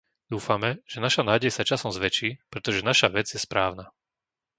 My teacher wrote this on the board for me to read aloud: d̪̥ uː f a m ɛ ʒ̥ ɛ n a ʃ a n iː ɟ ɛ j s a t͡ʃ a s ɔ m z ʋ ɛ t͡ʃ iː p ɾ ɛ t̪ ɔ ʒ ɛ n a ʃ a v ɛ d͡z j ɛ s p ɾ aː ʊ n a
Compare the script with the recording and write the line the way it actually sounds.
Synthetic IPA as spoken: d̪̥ uː f a m ɛ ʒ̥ ɛ n a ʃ a n aː ɟ ɛ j s a t͡ʃ a s ɔ m z ʋ ɛ t͡ʃ iː p ɾ ɛ t̪ ɔ ʒ ɛ n a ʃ a ʋ ɛ d͡z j ɛ s p ɾ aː ʊ n a